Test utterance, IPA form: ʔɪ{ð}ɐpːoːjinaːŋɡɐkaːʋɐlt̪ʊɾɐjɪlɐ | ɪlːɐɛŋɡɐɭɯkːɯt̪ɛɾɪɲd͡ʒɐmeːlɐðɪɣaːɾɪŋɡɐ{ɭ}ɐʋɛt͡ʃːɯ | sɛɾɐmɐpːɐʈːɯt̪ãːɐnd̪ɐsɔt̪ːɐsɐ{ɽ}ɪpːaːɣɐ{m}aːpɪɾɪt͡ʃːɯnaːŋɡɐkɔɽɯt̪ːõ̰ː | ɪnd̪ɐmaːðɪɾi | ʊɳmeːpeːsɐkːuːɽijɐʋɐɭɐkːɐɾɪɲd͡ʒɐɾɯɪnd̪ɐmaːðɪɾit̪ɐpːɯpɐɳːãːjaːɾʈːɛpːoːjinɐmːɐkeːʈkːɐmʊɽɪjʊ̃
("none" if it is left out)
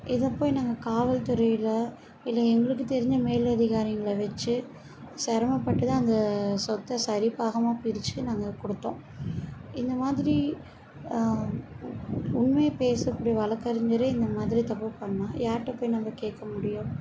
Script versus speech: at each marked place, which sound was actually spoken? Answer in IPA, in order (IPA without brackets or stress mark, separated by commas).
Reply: ð, ɭ, ɾ, m